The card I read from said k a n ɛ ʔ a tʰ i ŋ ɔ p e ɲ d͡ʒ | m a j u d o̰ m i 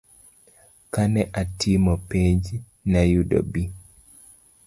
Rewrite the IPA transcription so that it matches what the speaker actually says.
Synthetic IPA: k a n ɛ ʔ a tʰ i m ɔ p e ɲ d͡ʒ | n a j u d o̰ b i